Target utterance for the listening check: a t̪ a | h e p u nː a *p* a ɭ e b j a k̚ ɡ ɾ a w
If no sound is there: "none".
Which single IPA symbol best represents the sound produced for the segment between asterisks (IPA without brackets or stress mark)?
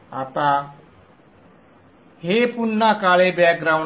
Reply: k